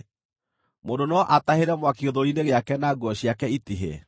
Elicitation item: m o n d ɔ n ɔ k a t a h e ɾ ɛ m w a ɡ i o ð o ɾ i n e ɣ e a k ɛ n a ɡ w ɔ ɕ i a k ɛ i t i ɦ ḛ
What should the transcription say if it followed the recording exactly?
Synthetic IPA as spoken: m o n d o n ɔ ʔ a t a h e ɾ ɛ m w a k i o ð o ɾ i n e ɣ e a k ɛ n a ɡ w ɔ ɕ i a k ɛ i t i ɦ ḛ